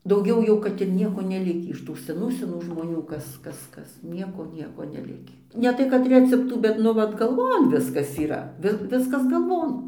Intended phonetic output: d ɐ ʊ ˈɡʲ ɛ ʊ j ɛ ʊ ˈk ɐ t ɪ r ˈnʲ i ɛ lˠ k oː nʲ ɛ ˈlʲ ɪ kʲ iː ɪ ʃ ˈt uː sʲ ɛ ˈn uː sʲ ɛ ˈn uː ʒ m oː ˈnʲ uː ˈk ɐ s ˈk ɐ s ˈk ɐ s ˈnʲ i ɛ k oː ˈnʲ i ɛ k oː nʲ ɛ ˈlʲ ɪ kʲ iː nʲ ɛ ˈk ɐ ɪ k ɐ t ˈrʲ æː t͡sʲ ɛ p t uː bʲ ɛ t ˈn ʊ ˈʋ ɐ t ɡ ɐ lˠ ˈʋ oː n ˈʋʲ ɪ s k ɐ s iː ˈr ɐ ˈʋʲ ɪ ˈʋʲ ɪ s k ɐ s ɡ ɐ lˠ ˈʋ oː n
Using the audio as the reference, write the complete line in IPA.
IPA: d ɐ ʊ ˈɡʲ ɛ ʊ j ɛ ʊ ˈk ɐ t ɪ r ˈnʲ i ɛ k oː nʲ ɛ ˈlʲ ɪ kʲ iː ɪ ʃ ˈt uː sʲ ɛ ˈn uː sʲ ɛ ˈn uː ʒ m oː ˈnʲ uː ˈk ɐ s ˈk ɐ s ˈk ɐ s ˈnʲ i ɛ k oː ˈnʲ i ɛ k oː nʲ ɛ ˈlʲ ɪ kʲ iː nʲ ɛ ˈt ɐ ɪ k ɐ t ˈrʲ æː t͡sʲ ɛ p t uː bʲ ɛ t ˈn ʊ ˈʋ ɐ t ɡ ɐ lˠ ˈʋ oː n ˈʋʲ ɪ s k ɐ s iː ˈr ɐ ˈʋʲ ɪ ˈʋʲ ɪ s k ɐ s ɡ ɐ lˠ ˈʋ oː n

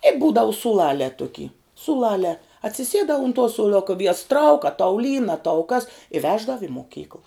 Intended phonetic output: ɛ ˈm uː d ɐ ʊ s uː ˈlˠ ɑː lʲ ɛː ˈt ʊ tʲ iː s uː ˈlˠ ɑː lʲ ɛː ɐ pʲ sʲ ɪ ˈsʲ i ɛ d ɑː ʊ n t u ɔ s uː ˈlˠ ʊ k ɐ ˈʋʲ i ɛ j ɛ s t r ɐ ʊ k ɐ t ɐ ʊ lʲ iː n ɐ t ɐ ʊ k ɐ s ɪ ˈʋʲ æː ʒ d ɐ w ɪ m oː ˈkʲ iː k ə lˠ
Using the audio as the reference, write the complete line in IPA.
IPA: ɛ ˈb uː d ɐ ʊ s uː ˈlˠ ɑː lʲ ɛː ˈt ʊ kʲ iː s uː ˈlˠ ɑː lʲ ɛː ɐ tʲ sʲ ɪ ˈsʲ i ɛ d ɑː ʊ n t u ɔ s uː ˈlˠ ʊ k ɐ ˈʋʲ i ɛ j ɛ s t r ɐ ʊ k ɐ t ɐ ʊ lʲ iː n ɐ t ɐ ʊ k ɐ s ɪ ˈʋʲ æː ʒ d ɐ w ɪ m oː ˈkʲ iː k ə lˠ

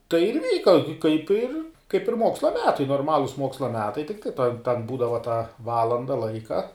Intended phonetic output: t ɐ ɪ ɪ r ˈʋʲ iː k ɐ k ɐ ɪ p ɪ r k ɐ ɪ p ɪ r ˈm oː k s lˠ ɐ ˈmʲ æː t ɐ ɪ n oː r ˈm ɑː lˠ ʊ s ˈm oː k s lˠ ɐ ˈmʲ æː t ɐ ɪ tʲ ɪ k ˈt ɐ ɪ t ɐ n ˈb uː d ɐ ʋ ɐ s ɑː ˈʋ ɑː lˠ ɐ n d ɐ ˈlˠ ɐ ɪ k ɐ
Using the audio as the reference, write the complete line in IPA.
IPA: t ɐ ɪ ɪ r ˈʋʲ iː k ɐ k ɐ ɪ p ɪ r k ɐ ɪ p ɪ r ˈm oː k s lˠ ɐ ˈmʲ æː t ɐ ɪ n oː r ˈm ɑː lˠ ʊ s ˈm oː k s lˠ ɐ ˈmʲ æː t ɐ ɪ tʲ ɪ k ˈt ɐ ɪ t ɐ n ˈb uː d ɐ ʋ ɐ t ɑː ˈʋ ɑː lˠ ɐ n d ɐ ˈlˠ ɐ ɪ k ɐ

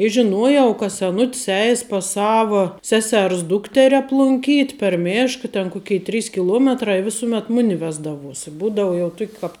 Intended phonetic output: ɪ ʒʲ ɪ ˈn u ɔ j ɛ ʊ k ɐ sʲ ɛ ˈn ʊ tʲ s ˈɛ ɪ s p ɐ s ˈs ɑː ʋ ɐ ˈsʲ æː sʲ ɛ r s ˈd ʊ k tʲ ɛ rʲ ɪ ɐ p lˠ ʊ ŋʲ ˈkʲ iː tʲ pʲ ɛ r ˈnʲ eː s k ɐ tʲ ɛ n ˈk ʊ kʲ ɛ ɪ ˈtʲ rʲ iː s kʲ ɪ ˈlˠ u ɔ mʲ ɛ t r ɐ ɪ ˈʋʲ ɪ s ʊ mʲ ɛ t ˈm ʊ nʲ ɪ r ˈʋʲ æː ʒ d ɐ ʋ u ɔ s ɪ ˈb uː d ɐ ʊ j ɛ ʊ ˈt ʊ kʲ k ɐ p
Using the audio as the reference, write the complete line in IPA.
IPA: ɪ ʒʲ ɪ ˈn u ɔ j ɛ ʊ k ɐ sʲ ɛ ˈn ʊ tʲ s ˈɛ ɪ s p ɐ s ˈs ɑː ʋ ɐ ˈsʲ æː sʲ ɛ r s ˈd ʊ k tʲ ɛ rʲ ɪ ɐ p lˠ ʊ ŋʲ ˈkʲ iː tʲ pʲ ɛ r ˈmʲ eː ʃ k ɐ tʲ ɛ n ˈk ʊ kʲ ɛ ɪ ˈtʲ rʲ iː s kʲ ɪ ˈlˠ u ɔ mʲ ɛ t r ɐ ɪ ˈʋʲ ɪ s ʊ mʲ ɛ t ˈm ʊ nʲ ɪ ˈʋʲ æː z d ɐ ʋ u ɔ s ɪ ˈb uː d ɐ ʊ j ɛ ʊ ˈt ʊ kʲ k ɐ p

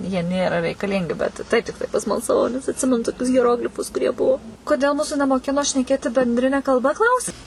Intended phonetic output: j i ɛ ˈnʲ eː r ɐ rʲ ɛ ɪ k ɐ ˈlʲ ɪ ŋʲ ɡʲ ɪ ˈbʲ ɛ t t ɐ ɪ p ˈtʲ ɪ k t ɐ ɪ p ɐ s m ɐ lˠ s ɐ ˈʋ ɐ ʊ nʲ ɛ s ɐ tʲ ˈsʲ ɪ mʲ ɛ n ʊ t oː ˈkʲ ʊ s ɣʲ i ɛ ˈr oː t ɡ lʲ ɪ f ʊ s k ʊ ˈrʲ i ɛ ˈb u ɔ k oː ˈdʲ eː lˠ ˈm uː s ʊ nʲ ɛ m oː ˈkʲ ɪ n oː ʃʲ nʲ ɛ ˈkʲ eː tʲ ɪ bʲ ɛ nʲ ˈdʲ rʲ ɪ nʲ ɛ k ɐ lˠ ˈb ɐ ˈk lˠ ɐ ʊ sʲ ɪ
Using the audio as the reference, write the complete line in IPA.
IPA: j i ɛ ˈnʲ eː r ɐ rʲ ɛ ɪ k ɐ ˈlʲ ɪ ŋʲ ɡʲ ɪ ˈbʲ ɛ t t ɐ ɪ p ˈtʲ ɪ k t ɐ ɪ p ɐ s m ɐ lˠ s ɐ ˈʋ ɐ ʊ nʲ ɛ s ɐ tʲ ˈsʲ ɪ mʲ ɛ n ʊ t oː ˈkʲ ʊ s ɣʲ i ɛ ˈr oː ɡ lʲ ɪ f ʊ s k ʊ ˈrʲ i ɛ ˈb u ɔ k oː ˈdʲ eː lˠ ˈm uː s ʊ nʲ ɛ m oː ˈkʲ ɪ n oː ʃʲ nʲ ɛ ˈkʲ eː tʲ ɪ bʲ ɛ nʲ ˈdʲ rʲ ɪ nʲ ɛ k ɐ lˠ ˈb ɐ ˈk lˠ ɐ ʊ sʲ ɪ

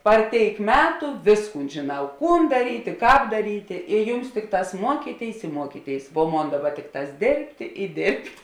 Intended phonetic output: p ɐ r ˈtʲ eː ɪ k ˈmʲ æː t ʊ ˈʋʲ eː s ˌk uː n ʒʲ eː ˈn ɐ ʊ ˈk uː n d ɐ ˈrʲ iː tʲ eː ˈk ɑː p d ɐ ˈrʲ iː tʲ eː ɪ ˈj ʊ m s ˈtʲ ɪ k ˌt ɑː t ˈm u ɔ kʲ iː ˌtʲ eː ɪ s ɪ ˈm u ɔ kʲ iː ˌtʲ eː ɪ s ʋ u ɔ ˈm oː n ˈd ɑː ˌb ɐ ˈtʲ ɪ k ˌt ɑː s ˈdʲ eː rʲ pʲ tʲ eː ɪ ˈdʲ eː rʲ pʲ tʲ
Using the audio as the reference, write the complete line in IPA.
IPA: p ɐ r ˈtʲ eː ɪ k ˈmʲ æː t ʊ ˈʋʲ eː s ˌk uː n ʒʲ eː ˈn ɐ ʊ ˈk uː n d ɐ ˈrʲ iː tʲ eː ˈk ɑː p d ɐ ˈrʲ iː tʲ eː ɪ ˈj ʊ m s ˈtʲ ɪ k ˌt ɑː s ˈm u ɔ kʲ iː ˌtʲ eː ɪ s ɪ ˈm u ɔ kʲ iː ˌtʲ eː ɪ s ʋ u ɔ ˈm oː n ˈd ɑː ˌb ɐ ˈtʲ ɪ k ˌt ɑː s ˈdʲ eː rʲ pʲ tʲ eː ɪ ˈdʲ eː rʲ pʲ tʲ

